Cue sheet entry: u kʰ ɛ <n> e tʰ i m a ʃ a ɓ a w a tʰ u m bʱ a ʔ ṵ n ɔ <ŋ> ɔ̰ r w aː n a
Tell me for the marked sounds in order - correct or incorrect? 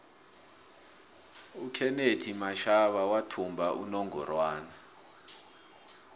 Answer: correct, correct

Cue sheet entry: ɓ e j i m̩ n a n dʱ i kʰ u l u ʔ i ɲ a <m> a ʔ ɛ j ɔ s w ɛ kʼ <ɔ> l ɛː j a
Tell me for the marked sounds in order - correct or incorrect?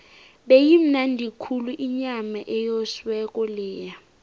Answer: correct, correct

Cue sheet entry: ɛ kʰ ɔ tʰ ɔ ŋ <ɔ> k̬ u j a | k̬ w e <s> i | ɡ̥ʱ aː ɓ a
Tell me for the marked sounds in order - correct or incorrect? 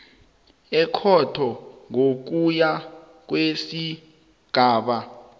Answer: incorrect, correct

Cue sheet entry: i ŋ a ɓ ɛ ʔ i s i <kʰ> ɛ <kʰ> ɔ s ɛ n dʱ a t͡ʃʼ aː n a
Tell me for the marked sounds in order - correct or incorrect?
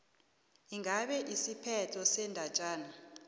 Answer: incorrect, incorrect

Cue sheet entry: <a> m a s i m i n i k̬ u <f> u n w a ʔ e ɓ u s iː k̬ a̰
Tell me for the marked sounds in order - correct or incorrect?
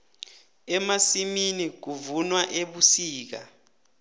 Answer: incorrect, incorrect

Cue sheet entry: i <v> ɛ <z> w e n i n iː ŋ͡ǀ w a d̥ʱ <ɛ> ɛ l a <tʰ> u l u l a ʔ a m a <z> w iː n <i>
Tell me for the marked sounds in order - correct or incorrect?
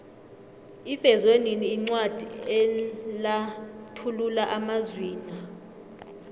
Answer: incorrect, correct, incorrect, correct, correct, incorrect

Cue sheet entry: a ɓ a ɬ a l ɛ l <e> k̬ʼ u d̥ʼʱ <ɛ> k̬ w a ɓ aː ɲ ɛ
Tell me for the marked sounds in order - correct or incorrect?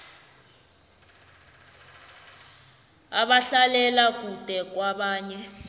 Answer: incorrect, correct

